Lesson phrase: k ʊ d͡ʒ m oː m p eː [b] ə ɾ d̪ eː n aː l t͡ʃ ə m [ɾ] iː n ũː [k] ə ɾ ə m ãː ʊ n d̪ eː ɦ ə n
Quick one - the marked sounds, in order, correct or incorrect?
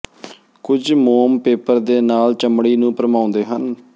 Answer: incorrect: p, incorrect: ɽ, incorrect: p

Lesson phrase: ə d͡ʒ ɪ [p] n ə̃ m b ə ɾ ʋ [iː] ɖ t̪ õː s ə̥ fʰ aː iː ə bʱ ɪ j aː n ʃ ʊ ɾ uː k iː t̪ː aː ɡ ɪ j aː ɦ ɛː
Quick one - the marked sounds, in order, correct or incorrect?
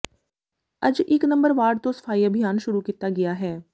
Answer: incorrect: k, incorrect: aː

